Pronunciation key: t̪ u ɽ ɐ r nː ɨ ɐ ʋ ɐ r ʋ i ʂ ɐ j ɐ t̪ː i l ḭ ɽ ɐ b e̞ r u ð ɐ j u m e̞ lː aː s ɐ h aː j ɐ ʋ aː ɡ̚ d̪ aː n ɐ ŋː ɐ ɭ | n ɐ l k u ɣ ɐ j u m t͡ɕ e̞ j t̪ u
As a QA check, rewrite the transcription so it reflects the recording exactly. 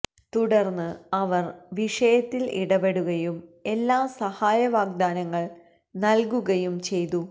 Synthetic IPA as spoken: t̪ u ɽ ɐ r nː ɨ ɐ ʋ ɐ r ʋ i ʂ ɐ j ɐ t̪ː i l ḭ ɽ ɐ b e̞ ɽ u ɣ ɐ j u m e̞ lː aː s ɐ h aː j ɐ ʋ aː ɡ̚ d̪ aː n ɐ ŋː ɐ ɭ | n ɐ l k u ɣ ɐ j u m t͡ɕ e̞ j t̪ u